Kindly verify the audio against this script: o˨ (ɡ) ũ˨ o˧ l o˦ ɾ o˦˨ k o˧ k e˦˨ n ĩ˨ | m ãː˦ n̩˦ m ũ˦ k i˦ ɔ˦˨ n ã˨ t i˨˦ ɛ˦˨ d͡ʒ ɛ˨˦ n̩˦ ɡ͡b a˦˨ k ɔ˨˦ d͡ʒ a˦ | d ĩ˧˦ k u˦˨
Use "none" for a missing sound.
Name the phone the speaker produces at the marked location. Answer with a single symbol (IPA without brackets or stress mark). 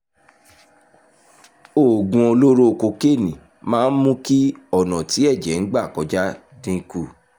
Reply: ɡ